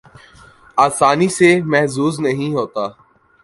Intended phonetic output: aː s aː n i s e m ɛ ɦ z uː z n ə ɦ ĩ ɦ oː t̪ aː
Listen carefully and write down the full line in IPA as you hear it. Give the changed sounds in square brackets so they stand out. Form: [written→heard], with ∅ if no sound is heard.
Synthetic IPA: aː s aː n i s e m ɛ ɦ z uː z n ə ɦ ĩ ɦ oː t̪ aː